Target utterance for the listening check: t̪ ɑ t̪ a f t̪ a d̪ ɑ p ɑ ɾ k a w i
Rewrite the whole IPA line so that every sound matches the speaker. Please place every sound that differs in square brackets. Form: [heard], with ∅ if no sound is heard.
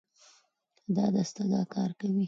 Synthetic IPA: [d̪] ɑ [d̪] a [s] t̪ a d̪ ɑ [k] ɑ ɾ k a w i